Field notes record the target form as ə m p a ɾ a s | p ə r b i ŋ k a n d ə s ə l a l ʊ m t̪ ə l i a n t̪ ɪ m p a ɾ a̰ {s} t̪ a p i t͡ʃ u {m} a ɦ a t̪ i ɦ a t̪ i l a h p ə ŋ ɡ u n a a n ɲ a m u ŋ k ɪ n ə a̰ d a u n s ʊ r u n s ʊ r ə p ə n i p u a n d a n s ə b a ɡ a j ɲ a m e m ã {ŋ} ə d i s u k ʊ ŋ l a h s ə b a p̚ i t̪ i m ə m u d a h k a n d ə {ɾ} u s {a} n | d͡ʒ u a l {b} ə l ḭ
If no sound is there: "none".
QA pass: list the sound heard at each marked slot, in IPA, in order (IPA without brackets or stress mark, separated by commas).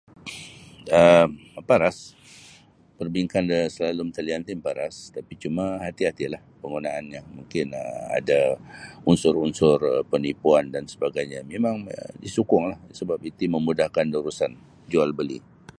s, m, ŋ, ɾ, a, b